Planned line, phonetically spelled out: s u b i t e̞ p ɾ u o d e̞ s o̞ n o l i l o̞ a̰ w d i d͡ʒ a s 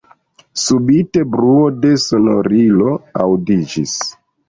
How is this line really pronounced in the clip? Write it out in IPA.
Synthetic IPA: s u b i t e̞ b ɾ u o d e̞ s o̞ n o ɾ i l o̞ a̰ w d i d͡ʒ i s